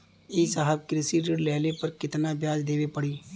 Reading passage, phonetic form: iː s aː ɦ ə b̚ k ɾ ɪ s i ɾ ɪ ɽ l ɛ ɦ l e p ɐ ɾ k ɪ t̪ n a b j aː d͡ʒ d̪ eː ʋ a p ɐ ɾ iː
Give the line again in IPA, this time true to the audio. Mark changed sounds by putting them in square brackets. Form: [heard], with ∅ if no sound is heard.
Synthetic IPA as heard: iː s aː ɦ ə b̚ k ɾ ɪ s i ɾ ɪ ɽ l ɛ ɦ l e p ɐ ɾ k ɪ t̪ n a b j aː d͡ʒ d̪ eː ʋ [e] p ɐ [ɽ] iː